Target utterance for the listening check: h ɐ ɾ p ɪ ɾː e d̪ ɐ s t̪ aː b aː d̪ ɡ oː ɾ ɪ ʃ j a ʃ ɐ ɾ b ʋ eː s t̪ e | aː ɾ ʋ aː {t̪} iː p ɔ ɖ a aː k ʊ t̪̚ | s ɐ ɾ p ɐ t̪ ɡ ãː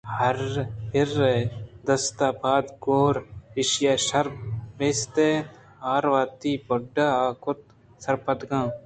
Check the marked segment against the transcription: correct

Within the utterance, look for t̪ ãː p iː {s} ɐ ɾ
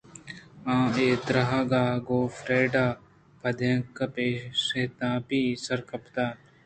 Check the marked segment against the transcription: correct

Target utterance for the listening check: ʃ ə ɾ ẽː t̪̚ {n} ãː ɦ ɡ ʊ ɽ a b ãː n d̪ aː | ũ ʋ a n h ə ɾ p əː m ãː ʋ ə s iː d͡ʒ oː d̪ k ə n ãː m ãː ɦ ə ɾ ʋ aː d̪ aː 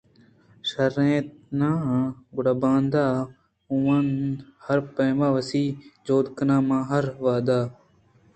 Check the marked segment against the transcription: correct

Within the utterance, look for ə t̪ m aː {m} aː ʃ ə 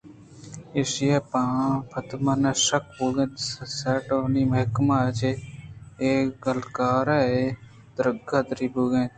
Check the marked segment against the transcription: incorrect: n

